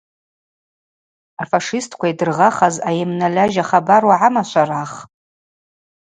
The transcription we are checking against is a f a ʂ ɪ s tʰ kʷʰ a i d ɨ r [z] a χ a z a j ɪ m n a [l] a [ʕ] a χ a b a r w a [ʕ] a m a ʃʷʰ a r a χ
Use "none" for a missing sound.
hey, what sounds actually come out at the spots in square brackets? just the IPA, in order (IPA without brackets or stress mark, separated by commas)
ʁ, l, ʒ, ʕ